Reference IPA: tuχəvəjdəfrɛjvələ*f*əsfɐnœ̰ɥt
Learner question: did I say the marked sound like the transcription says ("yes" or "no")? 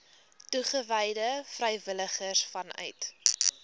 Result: no